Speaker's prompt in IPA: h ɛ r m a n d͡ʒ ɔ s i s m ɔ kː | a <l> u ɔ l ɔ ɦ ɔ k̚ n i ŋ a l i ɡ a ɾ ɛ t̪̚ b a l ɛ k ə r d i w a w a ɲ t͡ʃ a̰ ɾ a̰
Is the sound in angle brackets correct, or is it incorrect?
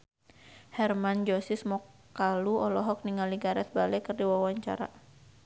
correct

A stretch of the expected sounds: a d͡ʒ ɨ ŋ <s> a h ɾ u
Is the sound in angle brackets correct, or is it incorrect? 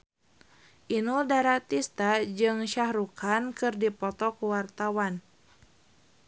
incorrect: ʃ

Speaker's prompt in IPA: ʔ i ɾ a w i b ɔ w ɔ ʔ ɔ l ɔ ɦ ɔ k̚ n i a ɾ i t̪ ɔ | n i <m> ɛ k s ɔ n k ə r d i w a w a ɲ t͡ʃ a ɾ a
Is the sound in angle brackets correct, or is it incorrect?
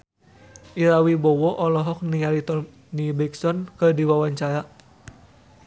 incorrect: b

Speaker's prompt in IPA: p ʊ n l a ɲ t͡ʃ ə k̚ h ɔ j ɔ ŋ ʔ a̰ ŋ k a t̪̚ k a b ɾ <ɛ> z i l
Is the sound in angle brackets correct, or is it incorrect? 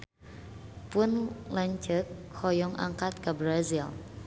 incorrect: a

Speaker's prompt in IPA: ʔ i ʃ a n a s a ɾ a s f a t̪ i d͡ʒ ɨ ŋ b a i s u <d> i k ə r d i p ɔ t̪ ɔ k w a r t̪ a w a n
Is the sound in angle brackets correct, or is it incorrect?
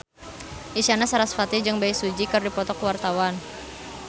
incorrect: d͡ʒ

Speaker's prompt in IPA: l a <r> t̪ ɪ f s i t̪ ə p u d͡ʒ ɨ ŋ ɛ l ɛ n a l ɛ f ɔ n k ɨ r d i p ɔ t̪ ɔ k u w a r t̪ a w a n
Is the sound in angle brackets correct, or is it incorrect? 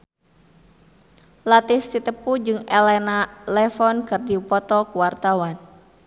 incorrect: none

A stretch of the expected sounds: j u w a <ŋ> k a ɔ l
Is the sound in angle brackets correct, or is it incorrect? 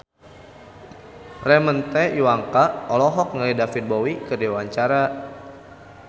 correct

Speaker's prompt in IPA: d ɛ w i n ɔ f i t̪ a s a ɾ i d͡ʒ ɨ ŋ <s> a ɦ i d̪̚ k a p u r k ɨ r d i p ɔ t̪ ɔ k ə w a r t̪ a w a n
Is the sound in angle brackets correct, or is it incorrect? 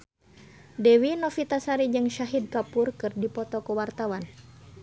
incorrect: ʃ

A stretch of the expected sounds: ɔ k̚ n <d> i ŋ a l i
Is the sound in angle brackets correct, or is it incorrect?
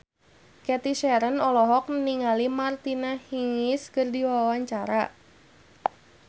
incorrect: n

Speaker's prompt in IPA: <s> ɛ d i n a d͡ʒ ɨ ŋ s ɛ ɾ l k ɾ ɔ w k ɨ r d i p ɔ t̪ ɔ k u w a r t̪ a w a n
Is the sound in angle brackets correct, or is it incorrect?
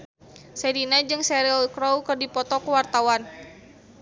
correct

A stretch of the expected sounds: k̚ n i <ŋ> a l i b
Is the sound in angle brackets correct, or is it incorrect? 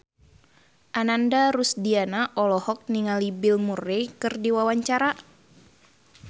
correct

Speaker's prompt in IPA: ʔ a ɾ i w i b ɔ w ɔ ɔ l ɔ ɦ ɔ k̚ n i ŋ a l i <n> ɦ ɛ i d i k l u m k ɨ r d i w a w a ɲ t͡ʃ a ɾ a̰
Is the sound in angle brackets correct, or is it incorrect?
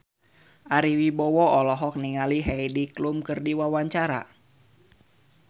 incorrect: none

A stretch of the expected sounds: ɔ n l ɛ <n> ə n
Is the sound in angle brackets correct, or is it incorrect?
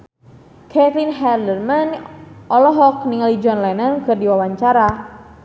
correct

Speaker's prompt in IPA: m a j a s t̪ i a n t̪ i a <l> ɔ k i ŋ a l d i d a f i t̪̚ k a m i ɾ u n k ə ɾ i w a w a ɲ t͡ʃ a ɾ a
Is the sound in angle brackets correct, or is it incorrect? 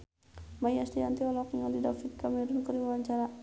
correct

